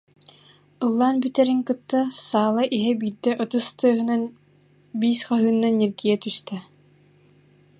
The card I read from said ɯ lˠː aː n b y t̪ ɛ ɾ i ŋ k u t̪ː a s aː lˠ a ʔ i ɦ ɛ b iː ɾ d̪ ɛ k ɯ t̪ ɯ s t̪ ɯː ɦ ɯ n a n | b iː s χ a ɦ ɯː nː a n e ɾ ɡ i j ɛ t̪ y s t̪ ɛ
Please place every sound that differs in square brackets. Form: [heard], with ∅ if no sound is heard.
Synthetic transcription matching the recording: ɯ lˠː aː n b y t̪ ɛ ɾ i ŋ k [ɯ] t̪ː a s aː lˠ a ʔ i ɦ ɛ b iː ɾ d̪ ɛ [ʔ] ɯ t̪ ɯ s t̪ ɯː ɦ ɯ n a n | b iː s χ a ɦ ɯː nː a n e ɾ ɡ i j ɛ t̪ y s t̪ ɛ